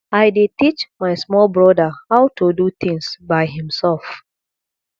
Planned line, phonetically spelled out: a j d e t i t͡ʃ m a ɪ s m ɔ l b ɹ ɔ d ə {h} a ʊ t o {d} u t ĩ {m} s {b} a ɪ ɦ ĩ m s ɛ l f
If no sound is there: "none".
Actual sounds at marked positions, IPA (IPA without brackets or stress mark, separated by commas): h, d, ŋ, b